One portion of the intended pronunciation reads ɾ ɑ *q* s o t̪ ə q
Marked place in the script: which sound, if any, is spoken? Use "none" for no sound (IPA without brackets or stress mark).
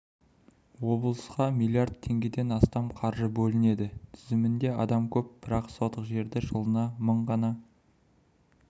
q